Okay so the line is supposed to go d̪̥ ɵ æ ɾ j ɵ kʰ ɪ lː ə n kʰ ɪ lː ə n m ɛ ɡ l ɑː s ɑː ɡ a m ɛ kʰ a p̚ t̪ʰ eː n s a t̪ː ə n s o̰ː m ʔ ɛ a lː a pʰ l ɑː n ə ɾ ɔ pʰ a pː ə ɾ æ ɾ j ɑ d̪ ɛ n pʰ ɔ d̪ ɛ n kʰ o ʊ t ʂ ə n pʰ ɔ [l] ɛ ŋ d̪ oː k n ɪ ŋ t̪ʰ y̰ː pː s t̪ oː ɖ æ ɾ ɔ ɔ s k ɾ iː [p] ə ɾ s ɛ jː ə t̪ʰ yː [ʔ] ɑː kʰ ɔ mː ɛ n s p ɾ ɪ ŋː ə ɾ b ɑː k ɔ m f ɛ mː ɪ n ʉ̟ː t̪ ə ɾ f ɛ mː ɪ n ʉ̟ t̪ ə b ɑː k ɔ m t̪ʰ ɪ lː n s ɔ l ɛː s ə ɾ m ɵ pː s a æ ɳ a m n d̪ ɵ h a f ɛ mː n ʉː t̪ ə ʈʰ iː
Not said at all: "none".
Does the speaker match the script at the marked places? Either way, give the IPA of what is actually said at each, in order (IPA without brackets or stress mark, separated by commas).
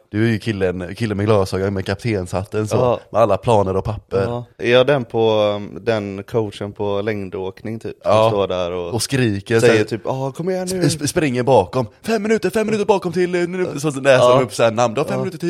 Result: l, k, p